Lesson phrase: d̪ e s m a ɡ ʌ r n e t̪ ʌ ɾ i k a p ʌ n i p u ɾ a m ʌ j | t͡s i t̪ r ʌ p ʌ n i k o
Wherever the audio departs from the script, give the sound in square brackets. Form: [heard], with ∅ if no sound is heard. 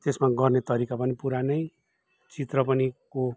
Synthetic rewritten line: [t̪] e s m a ɡ ʌ r n e t̪ ʌ ɾ i k a p ʌ n i p u ɾ a [n] ʌ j | t͡s i t̪ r ʌ p ʌ n i k o